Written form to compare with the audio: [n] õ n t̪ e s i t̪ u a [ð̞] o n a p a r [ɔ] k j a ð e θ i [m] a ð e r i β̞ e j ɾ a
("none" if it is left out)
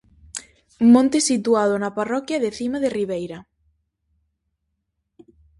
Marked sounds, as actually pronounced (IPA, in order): m, ð̞, ɔ, m

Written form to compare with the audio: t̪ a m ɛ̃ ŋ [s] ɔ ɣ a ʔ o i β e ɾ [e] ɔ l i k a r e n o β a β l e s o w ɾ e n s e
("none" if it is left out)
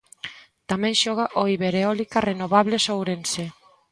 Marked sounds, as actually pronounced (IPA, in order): ʃ, e

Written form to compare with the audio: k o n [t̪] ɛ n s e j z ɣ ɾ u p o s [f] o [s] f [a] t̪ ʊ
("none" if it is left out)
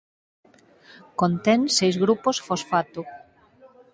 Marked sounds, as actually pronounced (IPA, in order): t̪, f, s, a

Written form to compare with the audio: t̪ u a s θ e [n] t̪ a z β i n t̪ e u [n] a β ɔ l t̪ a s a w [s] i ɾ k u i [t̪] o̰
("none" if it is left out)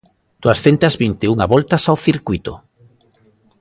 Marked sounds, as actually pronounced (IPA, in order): n, ŋ, θ, t̪

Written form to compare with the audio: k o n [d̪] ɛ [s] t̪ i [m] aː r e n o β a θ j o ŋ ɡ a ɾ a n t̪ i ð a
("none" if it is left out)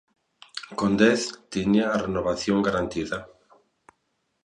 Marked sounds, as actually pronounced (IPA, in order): d̪, θ, ɲ

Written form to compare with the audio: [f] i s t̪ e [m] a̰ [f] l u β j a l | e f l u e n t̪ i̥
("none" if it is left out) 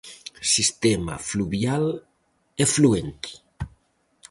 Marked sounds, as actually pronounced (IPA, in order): s, m, f

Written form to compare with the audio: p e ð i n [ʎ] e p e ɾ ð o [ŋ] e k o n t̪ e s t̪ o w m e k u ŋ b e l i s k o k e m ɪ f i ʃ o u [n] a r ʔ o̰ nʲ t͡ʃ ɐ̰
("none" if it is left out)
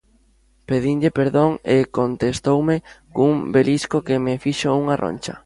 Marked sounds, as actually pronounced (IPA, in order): ʎ, ŋ, ŋ

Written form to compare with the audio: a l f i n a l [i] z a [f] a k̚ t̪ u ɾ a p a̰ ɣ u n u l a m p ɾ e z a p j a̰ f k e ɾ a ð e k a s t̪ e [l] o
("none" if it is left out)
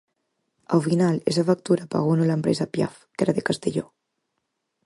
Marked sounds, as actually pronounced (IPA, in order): e, f, ʎ

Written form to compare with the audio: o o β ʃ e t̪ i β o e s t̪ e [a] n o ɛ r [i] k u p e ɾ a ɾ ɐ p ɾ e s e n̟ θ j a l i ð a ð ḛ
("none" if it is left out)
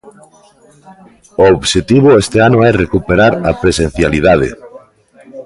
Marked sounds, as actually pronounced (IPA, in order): a, e

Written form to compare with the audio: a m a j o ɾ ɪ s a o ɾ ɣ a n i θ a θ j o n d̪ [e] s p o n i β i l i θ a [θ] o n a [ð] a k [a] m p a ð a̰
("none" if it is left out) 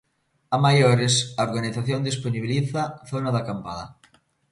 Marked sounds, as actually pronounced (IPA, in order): i, θ, ð, a

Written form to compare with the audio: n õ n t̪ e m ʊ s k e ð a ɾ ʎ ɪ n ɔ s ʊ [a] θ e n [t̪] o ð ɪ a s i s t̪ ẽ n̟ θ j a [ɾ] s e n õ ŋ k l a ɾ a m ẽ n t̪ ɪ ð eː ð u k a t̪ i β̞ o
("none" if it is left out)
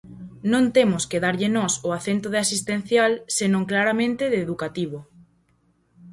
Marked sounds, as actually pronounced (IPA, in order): a, t̪, l

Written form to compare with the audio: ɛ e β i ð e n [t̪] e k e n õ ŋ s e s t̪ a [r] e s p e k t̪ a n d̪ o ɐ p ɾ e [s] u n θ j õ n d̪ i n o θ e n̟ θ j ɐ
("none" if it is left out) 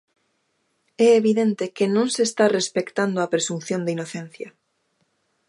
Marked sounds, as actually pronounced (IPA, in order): t̪, r, s

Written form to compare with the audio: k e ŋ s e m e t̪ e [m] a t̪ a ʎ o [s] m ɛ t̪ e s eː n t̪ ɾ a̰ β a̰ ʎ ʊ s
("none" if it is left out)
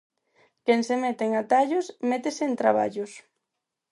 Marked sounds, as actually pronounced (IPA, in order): ŋ, s

